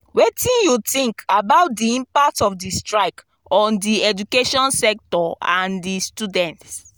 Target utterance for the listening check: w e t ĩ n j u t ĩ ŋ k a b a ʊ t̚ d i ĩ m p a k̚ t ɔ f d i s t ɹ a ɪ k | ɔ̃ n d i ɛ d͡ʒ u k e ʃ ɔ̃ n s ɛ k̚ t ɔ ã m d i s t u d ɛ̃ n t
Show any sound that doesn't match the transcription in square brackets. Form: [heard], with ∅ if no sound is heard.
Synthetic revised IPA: w e t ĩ n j u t ĩ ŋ k a b a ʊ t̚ d i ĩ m p a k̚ t ɔ f d i s t ɹ a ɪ k | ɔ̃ n d i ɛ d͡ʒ u k e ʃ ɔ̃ n s ɛ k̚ t ɔ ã [n] d i s t u d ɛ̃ n t